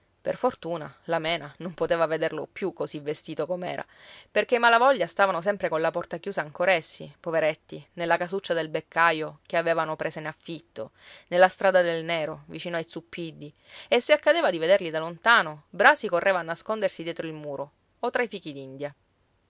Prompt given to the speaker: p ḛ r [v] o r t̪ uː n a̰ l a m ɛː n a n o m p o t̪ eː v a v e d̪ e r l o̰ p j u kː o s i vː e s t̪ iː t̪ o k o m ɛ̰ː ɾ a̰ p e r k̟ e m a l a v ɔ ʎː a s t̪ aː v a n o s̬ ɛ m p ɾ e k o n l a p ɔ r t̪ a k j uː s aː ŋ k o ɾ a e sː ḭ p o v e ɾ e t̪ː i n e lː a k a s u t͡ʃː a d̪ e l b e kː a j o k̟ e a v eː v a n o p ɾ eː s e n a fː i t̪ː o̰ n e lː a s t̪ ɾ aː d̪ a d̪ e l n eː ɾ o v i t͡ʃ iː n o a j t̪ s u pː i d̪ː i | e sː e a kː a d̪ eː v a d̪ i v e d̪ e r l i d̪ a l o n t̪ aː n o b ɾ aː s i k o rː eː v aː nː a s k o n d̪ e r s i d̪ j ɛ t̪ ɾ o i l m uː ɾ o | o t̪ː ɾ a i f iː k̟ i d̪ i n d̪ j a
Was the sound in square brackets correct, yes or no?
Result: no